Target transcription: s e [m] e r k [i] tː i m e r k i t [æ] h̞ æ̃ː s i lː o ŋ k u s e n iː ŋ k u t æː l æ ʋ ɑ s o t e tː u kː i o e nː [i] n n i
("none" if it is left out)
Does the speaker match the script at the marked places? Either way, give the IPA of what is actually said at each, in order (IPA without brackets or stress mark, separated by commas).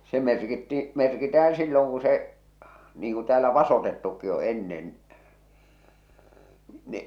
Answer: m, i, æ, e